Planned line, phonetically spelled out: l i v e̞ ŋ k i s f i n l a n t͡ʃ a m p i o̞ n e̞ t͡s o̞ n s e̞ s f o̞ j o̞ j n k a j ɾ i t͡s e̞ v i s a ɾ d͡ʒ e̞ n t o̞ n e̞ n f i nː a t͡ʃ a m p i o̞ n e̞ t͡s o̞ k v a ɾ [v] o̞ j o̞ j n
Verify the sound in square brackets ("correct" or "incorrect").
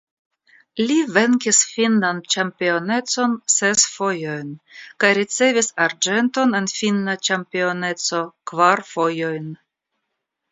incorrect